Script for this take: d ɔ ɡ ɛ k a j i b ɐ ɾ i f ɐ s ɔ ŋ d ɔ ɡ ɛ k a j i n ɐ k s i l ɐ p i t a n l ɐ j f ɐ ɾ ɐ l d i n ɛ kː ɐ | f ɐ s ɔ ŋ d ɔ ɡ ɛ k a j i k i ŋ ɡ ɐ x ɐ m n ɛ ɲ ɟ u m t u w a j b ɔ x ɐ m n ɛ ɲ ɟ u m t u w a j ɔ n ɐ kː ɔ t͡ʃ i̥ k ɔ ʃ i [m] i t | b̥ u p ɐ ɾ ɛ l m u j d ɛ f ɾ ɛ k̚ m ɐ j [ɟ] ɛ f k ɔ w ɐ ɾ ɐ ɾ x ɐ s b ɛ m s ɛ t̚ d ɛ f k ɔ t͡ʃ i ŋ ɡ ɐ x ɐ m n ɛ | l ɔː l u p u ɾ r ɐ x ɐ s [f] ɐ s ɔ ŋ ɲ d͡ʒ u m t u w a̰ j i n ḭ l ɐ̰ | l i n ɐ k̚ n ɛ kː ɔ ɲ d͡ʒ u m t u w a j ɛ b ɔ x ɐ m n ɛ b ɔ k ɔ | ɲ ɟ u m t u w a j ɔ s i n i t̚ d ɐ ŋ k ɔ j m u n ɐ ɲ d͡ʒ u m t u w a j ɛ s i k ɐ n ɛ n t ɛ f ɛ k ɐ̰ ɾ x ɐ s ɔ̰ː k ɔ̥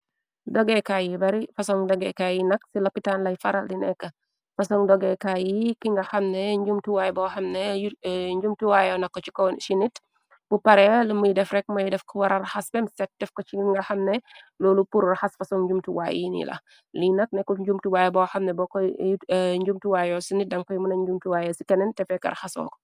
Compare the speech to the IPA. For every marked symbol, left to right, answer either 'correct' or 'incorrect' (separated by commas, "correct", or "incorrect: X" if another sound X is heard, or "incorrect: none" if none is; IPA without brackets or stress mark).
incorrect: n, incorrect: d, correct